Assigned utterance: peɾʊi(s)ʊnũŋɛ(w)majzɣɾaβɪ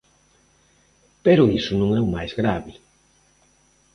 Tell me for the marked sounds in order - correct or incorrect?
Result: correct, correct

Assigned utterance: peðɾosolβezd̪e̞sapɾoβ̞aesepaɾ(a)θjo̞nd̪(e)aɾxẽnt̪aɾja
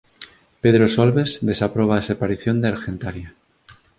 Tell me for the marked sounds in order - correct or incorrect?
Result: incorrect: i, correct

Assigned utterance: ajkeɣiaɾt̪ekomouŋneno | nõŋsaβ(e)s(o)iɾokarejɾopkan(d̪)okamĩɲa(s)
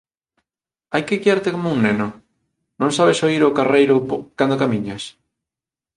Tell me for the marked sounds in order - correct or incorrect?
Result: correct, correct, correct, correct

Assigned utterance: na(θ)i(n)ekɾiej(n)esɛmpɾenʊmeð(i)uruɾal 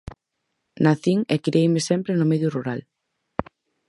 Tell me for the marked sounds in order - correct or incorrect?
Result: correct, incorrect: ŋ, incorrect: m, incorrect: j

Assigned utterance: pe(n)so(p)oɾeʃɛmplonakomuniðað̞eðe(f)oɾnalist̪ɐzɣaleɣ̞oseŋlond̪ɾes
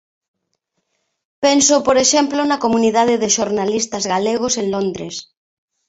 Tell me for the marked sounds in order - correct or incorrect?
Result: correct, correct, incorrect: ʃ

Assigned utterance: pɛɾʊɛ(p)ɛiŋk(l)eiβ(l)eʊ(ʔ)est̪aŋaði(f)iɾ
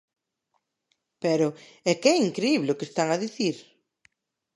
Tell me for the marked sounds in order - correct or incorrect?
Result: incorrect: k, incorrect: ɾ, correct, incorrect: k, incorrect: θ

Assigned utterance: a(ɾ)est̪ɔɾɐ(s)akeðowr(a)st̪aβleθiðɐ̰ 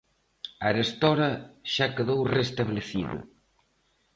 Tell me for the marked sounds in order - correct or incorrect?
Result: correct, incorrect: ʃ, incorrect: e

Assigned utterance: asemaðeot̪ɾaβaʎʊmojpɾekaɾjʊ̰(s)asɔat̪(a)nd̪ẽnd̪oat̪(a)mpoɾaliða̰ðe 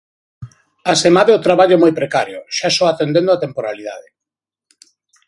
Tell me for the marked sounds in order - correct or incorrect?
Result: incorrect: ʃ, incorrect: e, incorrect: e

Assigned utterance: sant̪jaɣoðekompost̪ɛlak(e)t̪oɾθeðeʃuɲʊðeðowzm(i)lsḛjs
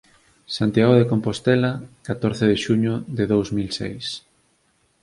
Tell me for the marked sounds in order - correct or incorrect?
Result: incorrect: a, correct

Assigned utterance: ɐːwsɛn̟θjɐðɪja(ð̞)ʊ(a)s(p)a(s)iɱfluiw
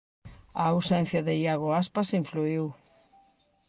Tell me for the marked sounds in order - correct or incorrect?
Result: incorrect: ɣ̞, correct, correct, correct

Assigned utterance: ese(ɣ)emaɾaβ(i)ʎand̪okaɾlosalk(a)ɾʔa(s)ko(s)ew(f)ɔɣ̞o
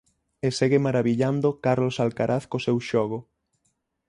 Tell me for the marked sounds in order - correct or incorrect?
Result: correct, correct, correct, incorrect: θ, correct, incorrect: ʃ

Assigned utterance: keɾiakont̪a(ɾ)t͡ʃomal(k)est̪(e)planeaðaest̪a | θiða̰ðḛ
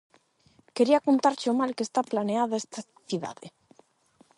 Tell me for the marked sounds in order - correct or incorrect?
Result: correct, correct, incorrect: a

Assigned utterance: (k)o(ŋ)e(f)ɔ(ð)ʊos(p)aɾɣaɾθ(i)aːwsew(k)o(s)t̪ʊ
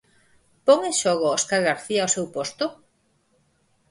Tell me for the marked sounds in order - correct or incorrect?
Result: incorrect: p, correct, incorrect: ʃ, incorrect: ɣ, incorrect: k, correct, incorrect: p, correct

